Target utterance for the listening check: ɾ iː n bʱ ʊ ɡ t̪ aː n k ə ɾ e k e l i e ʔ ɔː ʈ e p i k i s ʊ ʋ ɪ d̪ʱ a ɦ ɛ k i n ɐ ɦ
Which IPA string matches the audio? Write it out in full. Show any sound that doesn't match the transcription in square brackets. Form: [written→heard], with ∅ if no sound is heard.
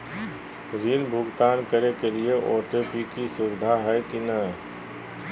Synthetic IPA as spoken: ɾ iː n bʱ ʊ ɡ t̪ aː n k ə ɾ e k e l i e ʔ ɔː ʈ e p i k i s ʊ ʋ ɪ d̪ʱ a ɦ ɛ k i n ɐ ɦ